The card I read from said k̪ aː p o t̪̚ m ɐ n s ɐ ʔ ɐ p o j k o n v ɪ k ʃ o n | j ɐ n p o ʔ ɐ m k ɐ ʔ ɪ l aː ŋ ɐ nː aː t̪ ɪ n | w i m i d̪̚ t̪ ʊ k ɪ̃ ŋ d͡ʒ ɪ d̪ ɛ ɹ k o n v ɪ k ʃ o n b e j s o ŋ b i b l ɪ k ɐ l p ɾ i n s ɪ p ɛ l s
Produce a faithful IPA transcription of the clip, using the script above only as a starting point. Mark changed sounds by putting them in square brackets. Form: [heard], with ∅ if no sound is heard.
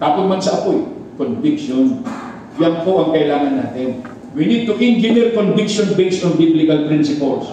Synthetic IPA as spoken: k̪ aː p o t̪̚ m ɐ n s ɐ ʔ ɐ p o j k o n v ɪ k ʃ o n | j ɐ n p o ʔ ɐ [ŋ] k ɐ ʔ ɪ l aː ŋ ɐ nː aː t̪ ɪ n | w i [n] i d̪̚ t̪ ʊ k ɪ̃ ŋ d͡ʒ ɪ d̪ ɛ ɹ k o n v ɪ k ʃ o n b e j s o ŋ b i b l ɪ k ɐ l p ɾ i n s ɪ p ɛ l s